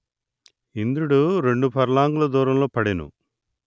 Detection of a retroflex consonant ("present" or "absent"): present